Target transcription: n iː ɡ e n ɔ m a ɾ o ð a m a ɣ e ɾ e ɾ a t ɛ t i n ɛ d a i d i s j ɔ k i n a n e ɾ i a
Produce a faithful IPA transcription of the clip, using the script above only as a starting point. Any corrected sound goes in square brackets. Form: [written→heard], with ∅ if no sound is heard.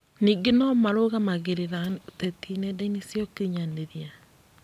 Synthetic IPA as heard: n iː ɡ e n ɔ m a ɾ o [ð→ɣ] a m a ɣ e ɾ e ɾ a t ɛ t i n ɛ d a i [d→n] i s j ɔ k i [n→ɲ] a n e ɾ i a